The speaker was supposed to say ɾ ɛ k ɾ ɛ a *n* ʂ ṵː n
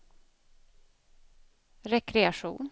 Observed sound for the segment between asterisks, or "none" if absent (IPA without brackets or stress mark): none